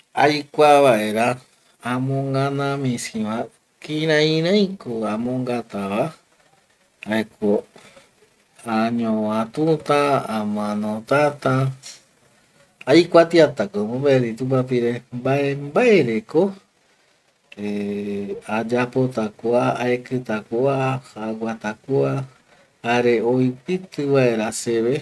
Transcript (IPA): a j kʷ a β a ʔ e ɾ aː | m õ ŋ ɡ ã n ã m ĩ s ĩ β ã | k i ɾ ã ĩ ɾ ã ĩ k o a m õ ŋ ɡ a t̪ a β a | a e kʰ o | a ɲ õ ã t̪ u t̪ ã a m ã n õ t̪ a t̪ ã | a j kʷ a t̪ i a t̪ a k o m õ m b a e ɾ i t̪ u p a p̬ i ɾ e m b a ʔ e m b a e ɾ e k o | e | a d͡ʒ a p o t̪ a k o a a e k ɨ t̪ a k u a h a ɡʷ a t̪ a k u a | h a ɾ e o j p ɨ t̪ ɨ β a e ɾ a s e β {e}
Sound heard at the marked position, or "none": e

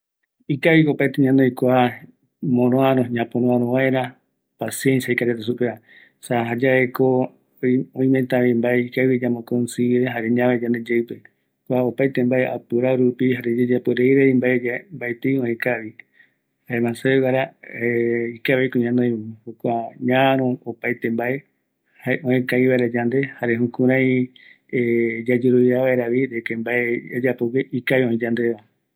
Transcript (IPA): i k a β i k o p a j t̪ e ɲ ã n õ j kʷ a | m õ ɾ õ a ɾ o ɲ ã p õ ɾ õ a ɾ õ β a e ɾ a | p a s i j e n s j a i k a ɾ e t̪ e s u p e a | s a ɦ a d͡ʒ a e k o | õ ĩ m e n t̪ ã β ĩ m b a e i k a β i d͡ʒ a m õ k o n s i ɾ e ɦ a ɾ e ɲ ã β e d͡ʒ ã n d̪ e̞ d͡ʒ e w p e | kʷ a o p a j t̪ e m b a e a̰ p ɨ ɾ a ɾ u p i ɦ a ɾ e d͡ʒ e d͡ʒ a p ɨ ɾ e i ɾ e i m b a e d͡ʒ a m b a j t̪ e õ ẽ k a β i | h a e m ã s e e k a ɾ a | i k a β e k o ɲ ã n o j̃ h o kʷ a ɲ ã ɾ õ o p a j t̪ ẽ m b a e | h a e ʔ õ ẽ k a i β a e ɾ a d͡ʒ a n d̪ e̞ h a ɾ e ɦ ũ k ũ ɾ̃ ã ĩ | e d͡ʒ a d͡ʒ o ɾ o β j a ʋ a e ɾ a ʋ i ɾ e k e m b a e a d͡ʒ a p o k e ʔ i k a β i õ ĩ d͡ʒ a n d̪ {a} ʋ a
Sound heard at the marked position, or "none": e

